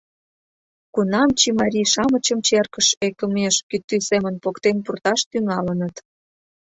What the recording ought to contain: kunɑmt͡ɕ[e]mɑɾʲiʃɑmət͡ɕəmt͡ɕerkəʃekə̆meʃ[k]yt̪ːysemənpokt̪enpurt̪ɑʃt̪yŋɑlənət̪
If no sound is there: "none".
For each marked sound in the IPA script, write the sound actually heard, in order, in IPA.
i, k

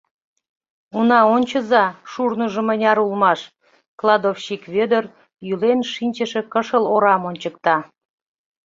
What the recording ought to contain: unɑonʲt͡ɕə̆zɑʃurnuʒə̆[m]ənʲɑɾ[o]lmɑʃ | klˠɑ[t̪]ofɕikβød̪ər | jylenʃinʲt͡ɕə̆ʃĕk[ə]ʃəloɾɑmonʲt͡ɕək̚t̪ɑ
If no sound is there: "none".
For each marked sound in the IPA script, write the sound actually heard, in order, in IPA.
m, u, d̪, ə

